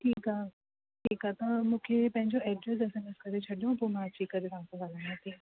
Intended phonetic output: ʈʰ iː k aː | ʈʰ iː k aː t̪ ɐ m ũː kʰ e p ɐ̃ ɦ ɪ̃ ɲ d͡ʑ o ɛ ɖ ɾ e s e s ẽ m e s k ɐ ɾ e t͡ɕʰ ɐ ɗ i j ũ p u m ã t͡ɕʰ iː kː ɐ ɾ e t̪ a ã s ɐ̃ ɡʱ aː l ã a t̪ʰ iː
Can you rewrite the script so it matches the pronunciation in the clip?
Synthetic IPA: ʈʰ iː k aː | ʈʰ iː k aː t̪ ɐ m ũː kʰ e p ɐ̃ ɦ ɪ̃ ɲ d͡ʑ o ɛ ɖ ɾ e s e s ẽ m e s k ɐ ɾ e t͡ɕʰ ɐ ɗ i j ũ p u m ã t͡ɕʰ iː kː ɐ ɾ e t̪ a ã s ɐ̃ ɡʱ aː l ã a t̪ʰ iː